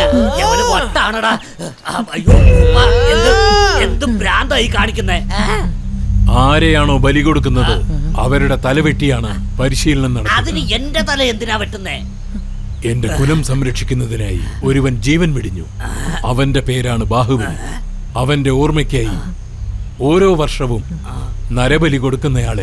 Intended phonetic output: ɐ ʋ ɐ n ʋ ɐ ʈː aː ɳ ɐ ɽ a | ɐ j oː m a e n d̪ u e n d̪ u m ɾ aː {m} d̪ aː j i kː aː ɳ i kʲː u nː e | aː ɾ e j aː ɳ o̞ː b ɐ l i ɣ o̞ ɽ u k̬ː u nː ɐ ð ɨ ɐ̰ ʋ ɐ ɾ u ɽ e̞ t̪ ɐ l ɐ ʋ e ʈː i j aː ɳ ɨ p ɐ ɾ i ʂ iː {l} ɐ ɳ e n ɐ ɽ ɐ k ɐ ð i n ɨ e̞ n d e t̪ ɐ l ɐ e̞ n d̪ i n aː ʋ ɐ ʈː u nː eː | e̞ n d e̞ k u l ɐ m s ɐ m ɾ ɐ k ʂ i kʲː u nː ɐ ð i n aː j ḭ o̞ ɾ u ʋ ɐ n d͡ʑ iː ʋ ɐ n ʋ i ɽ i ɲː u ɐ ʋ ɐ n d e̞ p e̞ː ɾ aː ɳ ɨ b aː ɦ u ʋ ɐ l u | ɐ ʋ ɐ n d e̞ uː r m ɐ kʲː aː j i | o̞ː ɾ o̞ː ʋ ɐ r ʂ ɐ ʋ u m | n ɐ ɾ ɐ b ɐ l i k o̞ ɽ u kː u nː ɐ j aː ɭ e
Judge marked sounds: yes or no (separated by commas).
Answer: no, yes